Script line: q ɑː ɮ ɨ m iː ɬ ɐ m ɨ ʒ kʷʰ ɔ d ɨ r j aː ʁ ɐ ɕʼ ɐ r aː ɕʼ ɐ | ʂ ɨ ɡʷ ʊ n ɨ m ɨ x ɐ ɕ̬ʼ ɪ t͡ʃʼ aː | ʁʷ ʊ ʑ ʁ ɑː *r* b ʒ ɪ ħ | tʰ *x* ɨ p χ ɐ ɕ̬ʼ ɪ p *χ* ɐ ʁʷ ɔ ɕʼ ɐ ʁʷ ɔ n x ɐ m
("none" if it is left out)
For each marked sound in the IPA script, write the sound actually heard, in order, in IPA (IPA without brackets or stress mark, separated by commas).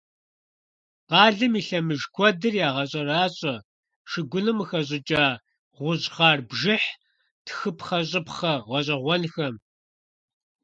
r, x, χ